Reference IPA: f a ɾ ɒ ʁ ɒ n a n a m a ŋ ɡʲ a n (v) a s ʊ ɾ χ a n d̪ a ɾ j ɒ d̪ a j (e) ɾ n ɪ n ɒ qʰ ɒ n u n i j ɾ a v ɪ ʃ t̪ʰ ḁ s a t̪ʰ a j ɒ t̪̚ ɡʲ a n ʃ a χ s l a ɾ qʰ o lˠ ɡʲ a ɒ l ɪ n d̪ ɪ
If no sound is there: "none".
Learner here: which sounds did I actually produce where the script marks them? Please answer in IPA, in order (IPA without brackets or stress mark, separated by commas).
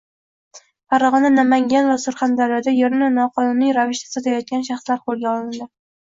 v, e